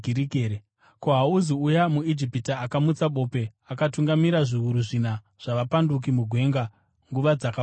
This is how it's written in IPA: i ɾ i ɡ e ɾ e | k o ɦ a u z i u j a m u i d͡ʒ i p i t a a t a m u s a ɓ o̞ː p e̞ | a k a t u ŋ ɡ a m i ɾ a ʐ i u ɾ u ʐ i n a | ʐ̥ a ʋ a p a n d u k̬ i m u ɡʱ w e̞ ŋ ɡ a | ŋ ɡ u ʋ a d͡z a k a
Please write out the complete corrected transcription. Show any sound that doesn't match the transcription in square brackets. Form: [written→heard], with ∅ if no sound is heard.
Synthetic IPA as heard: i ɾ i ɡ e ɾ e | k o ɦ a u z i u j a m u i d͡ʒ i p i t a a [t→k] a m u [s→t͡s] a ɓ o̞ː p e̞ | a k a t u ŋ ɡ a m i ɾ a ʐ i u ɾ u ʐ i n a | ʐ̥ a ʋ a p a n d u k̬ i m u ɡʱ w e̞ ŋ ɡ a | ŋ ɡ u ʋ a d͡z a k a

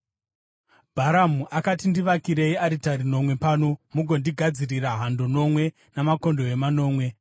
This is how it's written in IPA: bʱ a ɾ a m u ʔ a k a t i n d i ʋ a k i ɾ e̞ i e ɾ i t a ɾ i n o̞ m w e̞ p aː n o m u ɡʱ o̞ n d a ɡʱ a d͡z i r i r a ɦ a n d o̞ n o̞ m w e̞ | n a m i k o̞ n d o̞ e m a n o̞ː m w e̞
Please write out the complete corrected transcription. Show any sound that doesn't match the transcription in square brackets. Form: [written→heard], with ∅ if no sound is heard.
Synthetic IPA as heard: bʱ a ɾ a m u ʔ a k a t i n d i ʋ a k i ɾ e̞ i [e→a] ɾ i t a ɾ i n o̞ m w e̞ p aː n o m u ɡʱ o̞ n d [a→i] ɡʱ a d͡z i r i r a ɦ a n d o̞ n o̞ m w e̞ | n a m [i→a] k o̞ n d o̞ e m a n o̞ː m w e̞

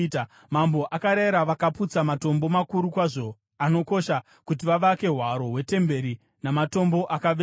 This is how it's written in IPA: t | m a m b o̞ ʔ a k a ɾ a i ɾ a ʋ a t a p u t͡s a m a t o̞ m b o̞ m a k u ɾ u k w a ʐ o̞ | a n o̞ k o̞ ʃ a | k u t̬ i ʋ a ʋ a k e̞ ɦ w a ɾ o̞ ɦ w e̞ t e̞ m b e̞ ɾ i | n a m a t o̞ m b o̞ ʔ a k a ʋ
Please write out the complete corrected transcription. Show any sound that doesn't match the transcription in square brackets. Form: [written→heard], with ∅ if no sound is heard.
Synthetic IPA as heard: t | m a m b o̞ ʔ a k a ɾ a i ɾ a ʋ a [t→k] a p u t͡s a m a t o̞ m b o̞ m a k u ɾ u k w a ʐ o̞ | a n o̞ k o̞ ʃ a | k u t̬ i ʋ a ʋ a k e̞ ɦ w a ɾ o̞ ɦ w e̞ t e̞ m b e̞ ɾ i | n a m a t o̞ m b o̞ ʔ a k a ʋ

